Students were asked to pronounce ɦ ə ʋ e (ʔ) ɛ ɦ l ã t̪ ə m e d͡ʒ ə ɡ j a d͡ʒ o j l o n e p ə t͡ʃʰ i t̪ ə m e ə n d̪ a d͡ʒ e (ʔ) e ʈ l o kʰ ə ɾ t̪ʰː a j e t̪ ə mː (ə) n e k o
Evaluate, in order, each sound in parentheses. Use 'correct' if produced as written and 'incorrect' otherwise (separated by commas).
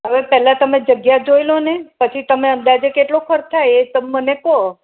incorrect, incorrect, correct